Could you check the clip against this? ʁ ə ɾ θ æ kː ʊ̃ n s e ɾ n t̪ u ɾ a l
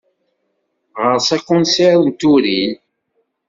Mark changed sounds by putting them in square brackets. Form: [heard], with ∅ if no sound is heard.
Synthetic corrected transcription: ʁ ə ɾ [s] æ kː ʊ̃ n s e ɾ n t̪ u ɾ [i] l